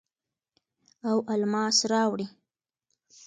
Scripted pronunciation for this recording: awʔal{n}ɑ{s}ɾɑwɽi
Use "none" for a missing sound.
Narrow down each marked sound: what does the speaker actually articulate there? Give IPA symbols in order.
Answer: m, s

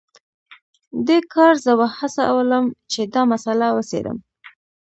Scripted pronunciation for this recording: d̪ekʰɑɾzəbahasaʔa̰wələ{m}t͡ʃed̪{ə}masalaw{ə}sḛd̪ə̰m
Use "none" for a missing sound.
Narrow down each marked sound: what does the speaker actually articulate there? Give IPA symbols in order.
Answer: m, ɑ, ə

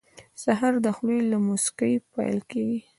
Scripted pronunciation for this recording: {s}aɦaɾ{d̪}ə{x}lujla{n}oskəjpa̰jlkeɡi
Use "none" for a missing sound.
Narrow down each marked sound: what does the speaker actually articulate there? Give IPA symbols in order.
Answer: s, d̪, x, m

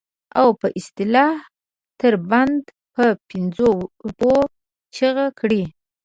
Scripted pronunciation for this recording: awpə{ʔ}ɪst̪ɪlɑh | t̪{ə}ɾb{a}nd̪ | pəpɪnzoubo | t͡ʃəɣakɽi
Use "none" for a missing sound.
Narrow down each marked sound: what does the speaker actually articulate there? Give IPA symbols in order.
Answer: ʔ, ə, a

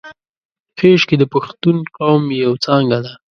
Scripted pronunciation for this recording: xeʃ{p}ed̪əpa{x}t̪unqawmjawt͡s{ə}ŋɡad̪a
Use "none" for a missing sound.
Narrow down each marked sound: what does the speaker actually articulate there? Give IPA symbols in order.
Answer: k, x, ɑ

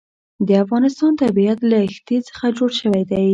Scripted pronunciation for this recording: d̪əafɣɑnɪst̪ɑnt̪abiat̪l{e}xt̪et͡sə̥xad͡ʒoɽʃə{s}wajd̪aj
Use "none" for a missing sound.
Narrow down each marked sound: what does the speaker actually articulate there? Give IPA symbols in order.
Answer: a, none

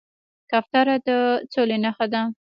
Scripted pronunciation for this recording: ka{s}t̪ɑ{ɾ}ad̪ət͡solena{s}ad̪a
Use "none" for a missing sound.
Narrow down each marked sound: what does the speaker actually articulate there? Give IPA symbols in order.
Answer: f, ɾ, x

